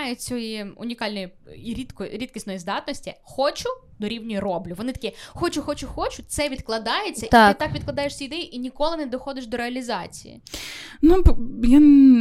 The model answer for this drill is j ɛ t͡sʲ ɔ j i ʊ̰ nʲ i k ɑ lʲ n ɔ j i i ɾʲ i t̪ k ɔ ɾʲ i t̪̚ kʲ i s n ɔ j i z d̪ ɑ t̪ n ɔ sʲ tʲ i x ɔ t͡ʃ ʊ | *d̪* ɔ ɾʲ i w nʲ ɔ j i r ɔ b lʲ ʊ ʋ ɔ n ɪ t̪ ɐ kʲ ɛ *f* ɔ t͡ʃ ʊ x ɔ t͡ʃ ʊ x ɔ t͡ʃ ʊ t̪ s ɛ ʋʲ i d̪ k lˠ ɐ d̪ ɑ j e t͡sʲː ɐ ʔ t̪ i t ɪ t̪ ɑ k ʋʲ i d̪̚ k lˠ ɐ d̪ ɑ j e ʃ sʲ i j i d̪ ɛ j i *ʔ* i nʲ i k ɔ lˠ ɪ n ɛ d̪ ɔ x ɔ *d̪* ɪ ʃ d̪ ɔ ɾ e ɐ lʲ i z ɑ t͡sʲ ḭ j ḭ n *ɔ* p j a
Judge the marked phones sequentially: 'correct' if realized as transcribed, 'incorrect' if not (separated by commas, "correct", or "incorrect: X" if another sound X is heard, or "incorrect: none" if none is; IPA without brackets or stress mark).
correct, incorrect: x, correct, correct, incorrect: u